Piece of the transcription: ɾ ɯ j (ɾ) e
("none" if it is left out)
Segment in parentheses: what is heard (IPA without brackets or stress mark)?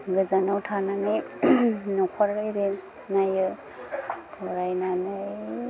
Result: ɾ